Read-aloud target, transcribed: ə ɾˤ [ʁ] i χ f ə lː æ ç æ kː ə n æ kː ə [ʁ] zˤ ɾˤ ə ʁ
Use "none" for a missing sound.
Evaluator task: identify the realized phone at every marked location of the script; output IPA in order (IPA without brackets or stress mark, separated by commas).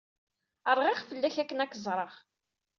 ʁ, none